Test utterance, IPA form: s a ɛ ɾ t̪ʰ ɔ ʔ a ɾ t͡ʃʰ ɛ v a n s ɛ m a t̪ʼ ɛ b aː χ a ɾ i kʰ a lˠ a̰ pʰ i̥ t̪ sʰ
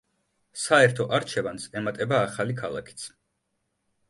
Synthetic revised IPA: s a ɛ ɾ t̪ʰ ɔ ʔ a ɾ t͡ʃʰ ɛ v a n s ɛ m a t̪ʼ ɛ b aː χ a l i kʰ a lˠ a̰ kʰ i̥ t̪ sʰ